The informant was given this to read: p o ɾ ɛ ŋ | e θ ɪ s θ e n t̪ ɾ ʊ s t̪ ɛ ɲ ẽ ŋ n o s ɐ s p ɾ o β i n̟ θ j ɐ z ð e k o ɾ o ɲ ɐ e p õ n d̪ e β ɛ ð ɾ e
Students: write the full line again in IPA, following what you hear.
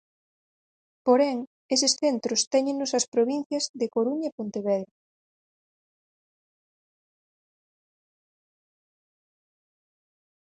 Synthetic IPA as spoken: p o ɾ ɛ ŋ | e s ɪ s θ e n t̪ ɾ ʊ s t̪ ɛ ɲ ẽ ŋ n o s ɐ s p ɾ o β i n̟ θ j ɐ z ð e k o ɾ u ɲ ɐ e p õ n t̪ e β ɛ ð ɾ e